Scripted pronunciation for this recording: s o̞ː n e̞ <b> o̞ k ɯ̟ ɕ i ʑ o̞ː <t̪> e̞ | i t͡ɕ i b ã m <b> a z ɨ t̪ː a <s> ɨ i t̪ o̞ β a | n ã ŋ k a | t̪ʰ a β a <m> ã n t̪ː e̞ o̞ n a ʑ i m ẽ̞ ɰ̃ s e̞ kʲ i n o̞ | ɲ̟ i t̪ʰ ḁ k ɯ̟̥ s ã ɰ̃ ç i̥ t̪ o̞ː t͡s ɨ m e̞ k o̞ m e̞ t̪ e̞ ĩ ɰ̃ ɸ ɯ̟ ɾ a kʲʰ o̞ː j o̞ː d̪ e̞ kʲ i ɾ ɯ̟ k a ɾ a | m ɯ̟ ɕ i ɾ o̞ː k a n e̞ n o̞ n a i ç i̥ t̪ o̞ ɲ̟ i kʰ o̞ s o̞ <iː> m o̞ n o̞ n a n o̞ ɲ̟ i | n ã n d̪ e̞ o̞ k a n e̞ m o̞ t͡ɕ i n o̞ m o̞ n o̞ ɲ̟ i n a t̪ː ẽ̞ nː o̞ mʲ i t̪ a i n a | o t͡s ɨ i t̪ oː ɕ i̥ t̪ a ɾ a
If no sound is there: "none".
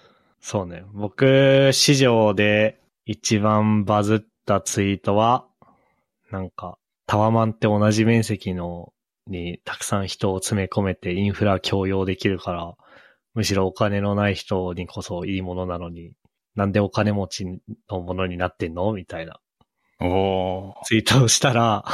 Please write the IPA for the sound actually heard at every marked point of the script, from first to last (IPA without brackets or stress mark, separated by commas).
b, d̪, b, t͡s, m, iː